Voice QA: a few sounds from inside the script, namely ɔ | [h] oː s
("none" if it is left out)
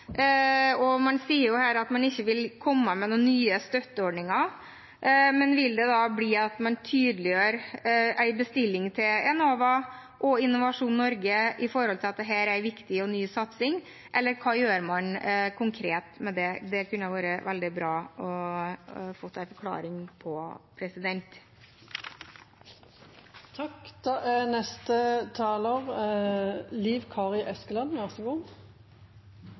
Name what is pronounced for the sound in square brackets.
f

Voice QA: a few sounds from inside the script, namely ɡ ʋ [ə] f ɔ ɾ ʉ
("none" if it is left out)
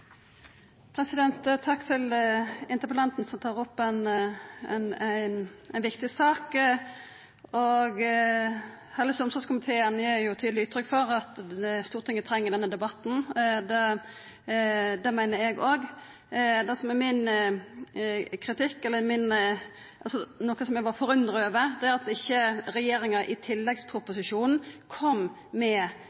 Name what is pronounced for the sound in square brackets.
ɑ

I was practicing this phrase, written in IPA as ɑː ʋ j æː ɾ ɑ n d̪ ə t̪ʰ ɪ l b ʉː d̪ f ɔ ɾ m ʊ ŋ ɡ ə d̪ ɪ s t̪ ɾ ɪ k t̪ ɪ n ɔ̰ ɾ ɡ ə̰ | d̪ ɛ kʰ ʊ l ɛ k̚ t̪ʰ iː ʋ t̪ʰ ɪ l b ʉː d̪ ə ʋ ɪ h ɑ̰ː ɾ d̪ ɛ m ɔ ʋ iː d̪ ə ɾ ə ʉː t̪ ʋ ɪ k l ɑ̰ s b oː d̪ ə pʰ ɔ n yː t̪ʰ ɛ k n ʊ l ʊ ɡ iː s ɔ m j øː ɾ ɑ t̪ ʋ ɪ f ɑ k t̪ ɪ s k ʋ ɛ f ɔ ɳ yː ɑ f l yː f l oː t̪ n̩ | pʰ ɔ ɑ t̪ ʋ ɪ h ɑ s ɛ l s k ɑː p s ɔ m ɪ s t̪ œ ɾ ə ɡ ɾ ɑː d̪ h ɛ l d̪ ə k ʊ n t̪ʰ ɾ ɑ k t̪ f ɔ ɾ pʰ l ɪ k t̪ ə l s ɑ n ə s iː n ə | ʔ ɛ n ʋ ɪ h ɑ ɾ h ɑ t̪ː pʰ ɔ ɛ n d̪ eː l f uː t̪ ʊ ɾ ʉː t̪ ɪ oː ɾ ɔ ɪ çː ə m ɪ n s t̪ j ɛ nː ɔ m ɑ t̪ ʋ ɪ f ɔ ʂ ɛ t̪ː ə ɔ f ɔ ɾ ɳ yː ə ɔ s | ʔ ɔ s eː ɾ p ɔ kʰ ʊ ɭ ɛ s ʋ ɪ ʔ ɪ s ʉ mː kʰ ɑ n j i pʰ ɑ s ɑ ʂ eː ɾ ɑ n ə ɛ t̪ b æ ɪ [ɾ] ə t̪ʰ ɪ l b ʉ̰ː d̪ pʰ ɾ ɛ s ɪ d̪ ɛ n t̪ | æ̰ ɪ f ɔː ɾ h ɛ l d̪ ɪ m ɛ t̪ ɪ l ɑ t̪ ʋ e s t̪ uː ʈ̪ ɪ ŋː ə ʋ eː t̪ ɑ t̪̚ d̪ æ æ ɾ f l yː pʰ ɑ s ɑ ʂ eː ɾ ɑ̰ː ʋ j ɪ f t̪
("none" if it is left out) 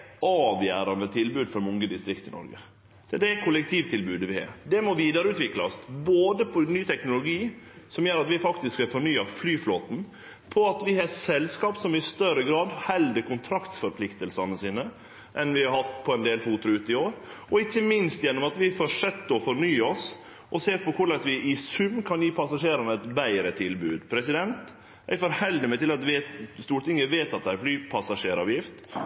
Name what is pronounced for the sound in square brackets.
ɾ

